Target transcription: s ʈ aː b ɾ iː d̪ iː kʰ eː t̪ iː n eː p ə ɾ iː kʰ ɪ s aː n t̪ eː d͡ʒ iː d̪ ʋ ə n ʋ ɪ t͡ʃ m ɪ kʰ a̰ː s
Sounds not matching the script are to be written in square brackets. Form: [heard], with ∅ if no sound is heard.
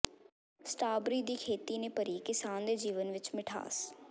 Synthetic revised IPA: s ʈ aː b ɾ iː d̪ iː kʰ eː t̪ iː n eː p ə ɾ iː [k] ɪ s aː n [d̪] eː d͡ʒ iː [∅] ʋ ə n ʋ ɪ t͡ʃ m ɪ [ʈʰ] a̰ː s